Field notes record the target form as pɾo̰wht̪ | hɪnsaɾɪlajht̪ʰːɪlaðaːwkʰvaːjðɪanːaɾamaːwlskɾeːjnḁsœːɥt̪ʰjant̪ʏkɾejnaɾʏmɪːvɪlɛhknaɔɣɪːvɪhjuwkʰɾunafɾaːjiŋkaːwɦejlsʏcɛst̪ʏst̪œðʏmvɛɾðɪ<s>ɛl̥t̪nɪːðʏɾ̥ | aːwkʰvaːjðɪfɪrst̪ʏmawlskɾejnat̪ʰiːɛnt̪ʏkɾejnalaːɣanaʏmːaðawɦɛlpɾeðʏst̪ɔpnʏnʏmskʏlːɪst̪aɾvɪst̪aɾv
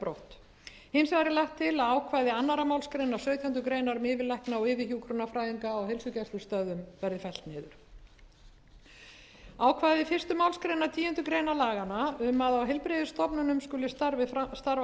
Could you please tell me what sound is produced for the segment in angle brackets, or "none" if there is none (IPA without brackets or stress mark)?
f